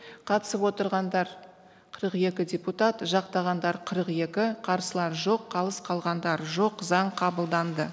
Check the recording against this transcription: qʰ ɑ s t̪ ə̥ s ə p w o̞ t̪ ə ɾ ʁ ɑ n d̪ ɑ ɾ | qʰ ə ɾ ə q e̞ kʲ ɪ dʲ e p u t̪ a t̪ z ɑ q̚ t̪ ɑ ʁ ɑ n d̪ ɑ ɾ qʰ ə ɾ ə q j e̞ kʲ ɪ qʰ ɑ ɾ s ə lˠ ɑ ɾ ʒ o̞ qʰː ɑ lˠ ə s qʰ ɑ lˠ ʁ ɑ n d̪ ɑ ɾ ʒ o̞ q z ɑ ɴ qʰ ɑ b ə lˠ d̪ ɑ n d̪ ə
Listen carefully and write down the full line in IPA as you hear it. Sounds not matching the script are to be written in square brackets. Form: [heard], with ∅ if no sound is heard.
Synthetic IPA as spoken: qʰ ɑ [∅] t̪ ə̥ s ə p w o̞ t̪ ə ɾ ʁ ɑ n d̪ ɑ ɾ | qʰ ə ɾ ə q e̞ kʲ ɪ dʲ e p u t̪ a t̪ [ʒ] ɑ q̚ t̪ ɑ ʁ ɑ n d̪ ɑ ɾ qʰ ə ɾ ə q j e̞ kʲ ɪ qʰ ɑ ɾ s ə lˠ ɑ ɾ ʒ o̞ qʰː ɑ lˠ ə s qʰ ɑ lˠ ʁ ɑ n d̪ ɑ ɾ ʒ o̞ q z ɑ ɴ qʰ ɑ b ə lˠ d̪ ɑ n d̪ ə